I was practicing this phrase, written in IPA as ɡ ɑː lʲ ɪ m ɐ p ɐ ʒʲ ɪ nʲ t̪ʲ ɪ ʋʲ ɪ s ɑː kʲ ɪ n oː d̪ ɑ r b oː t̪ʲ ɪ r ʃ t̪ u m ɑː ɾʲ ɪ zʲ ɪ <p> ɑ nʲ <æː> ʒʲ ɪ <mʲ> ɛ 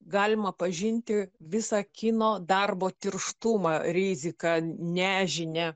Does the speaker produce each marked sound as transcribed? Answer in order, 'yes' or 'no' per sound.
no, yes, no

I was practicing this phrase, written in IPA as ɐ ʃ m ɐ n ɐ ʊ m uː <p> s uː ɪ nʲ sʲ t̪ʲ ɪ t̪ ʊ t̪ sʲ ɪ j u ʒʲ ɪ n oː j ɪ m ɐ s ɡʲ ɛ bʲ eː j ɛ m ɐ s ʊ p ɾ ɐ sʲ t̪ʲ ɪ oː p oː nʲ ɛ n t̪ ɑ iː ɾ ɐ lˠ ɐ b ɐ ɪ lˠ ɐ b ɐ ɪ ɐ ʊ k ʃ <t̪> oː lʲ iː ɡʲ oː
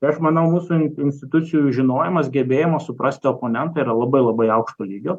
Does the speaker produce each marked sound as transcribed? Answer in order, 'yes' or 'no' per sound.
no, yes

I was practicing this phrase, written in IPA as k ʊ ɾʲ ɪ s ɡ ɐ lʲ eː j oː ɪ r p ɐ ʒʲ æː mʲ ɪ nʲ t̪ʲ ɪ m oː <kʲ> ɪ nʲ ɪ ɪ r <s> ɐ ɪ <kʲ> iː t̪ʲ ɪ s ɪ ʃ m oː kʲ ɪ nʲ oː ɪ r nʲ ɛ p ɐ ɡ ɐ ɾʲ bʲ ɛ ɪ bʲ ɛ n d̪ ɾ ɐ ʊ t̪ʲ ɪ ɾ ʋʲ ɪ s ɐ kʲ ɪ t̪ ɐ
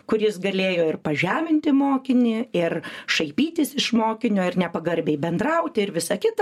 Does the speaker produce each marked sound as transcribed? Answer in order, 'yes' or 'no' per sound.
yes, no, no

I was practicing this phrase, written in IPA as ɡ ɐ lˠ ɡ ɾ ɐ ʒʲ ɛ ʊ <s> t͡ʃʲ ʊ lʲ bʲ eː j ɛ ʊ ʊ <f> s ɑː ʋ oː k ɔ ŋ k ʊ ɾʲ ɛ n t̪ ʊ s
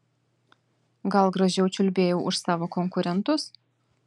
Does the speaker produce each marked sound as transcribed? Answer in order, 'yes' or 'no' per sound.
no, no

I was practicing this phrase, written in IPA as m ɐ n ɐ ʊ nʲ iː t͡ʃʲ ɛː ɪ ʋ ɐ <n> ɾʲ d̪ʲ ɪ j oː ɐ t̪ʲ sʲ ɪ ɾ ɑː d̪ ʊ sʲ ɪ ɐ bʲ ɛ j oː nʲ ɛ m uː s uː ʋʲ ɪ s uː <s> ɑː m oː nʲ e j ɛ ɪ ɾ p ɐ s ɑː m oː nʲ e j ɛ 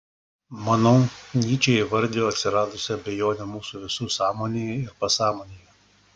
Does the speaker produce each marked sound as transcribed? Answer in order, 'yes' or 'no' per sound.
no, yes

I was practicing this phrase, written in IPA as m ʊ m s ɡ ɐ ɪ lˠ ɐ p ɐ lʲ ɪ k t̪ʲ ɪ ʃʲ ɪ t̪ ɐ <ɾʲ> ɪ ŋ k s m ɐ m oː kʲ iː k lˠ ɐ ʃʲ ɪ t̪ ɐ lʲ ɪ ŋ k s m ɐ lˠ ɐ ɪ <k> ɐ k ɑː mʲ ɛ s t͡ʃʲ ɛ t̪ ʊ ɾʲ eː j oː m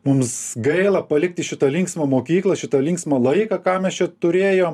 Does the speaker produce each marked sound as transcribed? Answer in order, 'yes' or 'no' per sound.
no, yes

